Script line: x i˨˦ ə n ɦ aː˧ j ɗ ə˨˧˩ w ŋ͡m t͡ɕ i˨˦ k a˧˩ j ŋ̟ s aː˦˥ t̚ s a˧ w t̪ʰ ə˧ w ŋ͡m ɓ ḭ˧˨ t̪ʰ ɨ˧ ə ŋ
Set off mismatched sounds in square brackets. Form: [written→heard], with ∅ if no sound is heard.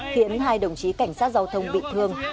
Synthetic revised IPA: x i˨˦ ə n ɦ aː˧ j ɗ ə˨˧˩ w ŋ͡m t͡ɕ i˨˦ k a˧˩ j ŋ̟ s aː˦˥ t̚ [s→z] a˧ w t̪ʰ ə˧ w ŋ͡m ɓ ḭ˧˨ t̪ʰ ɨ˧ ə ŋ